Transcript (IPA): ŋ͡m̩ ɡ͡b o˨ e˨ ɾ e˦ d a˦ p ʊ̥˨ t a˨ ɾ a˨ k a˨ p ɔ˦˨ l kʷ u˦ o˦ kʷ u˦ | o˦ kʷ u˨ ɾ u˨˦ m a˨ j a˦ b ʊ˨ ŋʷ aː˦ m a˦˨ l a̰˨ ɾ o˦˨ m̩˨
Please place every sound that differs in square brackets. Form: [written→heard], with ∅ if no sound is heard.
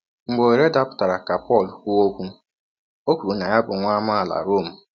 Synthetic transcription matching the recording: ŋ͡m̩ ɡ͡b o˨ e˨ ɾ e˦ d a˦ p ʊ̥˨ t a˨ ɾ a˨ k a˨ p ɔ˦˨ l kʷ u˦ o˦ kʷ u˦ | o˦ kʷ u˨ ɾ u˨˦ [m→n] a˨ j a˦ b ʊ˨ ŋʷ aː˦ m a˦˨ l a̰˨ ɾ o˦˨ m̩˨